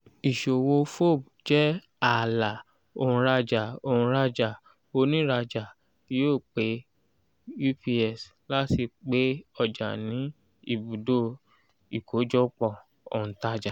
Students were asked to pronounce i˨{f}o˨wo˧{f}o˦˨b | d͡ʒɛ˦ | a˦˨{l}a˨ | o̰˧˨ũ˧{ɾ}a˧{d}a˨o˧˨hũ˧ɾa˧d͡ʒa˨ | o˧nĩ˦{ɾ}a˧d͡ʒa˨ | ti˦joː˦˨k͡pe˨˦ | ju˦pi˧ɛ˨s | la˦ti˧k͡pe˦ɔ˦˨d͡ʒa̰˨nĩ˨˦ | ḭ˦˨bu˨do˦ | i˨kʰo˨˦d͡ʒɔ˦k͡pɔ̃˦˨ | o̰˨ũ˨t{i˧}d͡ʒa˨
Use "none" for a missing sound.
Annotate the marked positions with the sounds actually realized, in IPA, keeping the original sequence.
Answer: ʃ, f, l, ɾ, d͡ʒ, ɾ, a˧

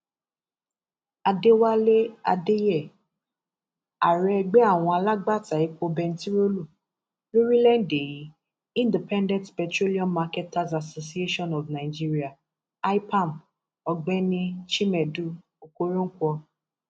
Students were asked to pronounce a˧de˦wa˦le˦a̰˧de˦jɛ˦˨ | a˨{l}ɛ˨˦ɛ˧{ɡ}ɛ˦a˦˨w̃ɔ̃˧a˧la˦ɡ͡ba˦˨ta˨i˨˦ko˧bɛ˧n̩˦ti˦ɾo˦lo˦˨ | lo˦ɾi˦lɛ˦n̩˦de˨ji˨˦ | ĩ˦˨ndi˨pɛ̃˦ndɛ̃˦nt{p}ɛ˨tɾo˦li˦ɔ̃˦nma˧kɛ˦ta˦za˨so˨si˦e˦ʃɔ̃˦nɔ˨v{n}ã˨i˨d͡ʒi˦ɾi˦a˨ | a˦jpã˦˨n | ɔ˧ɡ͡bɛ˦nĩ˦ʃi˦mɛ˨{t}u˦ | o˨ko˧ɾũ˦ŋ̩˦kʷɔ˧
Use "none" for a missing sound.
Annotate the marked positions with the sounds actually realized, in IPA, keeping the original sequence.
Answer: ɾ, ɡ͡b, p, n, d

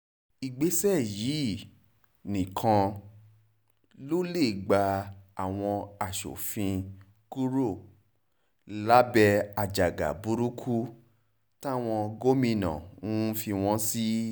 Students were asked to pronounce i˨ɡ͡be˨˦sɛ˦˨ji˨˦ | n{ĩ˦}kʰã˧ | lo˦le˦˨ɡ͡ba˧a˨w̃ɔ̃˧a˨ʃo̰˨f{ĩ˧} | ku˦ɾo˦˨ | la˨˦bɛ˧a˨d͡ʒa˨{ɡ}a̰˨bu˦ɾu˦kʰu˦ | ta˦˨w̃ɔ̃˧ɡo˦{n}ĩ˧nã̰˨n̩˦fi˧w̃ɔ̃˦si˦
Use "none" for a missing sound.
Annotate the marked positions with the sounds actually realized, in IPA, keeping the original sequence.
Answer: ĩ˨, ĩ˧, ɡ, m

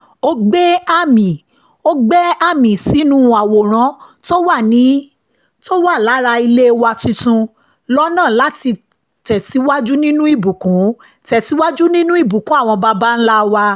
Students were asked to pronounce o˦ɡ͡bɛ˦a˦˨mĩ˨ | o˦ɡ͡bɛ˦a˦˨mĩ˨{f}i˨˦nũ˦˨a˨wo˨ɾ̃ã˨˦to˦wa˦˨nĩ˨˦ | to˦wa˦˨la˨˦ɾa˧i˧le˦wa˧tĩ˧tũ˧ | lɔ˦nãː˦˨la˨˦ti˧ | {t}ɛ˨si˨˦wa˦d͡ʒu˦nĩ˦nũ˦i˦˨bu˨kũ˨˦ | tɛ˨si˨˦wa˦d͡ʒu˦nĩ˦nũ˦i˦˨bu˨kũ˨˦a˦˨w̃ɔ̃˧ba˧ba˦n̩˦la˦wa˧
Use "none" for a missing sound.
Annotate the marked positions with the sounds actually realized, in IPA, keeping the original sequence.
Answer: s, t

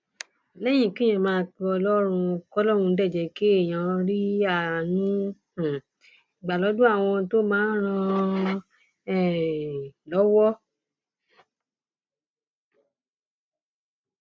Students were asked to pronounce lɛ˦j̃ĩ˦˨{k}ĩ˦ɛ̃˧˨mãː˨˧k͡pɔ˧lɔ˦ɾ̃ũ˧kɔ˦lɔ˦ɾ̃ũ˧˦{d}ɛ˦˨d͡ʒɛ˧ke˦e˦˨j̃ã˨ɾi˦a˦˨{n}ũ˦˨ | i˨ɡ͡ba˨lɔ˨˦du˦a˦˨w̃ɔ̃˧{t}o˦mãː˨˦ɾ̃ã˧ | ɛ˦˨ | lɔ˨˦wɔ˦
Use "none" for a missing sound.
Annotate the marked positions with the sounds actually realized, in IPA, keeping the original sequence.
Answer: k, d, n, t

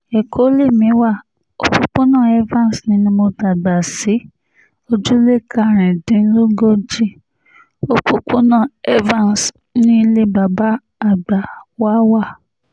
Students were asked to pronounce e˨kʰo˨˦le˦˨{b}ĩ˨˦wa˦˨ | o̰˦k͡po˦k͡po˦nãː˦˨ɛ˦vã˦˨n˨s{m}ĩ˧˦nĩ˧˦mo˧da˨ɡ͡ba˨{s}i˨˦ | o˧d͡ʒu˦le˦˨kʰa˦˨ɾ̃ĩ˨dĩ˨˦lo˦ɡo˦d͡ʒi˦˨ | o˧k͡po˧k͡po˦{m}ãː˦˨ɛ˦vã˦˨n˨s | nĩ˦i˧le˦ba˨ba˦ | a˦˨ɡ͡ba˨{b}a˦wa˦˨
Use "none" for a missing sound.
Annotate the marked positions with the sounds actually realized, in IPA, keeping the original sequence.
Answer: m, n, s, n, w

